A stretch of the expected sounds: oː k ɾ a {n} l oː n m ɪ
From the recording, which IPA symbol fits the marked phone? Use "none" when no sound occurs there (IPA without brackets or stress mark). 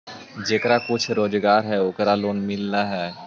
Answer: none